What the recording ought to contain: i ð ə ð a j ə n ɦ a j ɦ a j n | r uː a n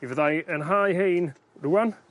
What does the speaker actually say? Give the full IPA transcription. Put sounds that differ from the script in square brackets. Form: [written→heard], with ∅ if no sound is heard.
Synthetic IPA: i [ð→v] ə ð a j ə n ɦ a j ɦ [a→e] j n | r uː a n